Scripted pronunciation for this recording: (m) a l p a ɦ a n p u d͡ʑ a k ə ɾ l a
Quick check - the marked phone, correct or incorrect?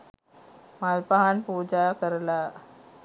correct